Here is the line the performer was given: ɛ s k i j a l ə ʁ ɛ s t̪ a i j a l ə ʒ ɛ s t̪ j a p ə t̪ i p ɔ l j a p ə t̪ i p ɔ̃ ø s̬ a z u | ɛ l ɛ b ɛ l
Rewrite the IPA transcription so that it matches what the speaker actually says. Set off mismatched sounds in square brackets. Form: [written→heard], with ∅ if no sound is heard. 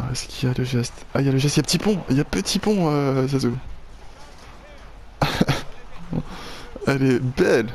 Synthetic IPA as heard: ɛ s k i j a l ə [ʁ→ʒ] ɛ s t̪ a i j a l ə ʒ ɛ s t̪ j a p ə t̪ i p [ɔ→ɔ̃] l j a p ə t̪ i p ɔ̃ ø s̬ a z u | ɛ l ɛ b ɛ l

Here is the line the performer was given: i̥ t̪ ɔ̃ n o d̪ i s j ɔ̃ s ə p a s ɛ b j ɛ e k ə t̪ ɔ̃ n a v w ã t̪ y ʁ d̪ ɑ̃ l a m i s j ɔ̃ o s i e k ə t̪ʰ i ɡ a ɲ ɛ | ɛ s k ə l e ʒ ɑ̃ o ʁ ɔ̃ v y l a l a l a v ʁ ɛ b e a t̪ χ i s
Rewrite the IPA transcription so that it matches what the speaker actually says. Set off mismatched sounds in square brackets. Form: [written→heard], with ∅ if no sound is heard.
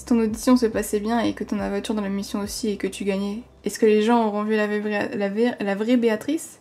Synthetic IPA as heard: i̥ t̪ ɔ̃ n o d̪ i s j ɔ̃ s ə p a s ɛ b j [ɛ→ɛ̃] e k ə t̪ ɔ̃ n a v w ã t̪ y ʁ d̪ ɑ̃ l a m i s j ɔ̃ o s i e k ə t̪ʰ [i→y] ɡ a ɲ ɛ | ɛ s k ə l e ʒ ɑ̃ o ʁ ɔ̃ v y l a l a l a v ʁ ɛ b e a t̪ χ i s

